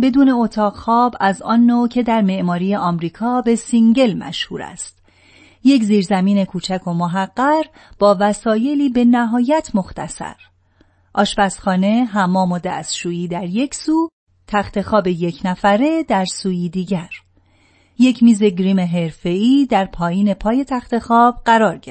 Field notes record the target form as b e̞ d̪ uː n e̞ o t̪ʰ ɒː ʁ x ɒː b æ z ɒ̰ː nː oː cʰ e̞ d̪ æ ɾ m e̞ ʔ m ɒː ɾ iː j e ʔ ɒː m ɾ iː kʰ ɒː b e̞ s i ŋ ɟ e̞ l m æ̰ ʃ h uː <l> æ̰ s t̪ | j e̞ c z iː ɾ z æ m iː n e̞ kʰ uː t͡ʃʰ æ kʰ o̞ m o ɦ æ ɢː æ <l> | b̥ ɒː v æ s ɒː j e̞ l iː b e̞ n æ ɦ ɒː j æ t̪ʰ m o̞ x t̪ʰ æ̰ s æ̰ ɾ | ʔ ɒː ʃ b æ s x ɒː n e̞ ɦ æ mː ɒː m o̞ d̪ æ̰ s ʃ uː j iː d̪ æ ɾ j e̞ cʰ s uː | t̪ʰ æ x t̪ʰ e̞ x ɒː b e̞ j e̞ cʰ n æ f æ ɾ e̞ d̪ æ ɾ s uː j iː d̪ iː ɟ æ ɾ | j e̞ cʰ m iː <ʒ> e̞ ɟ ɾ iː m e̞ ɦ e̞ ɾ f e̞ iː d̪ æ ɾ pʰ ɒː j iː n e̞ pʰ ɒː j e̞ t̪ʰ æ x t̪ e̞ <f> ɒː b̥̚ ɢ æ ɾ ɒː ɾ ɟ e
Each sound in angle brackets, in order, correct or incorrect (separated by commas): incorrect, incorrect, incorrect, incorrect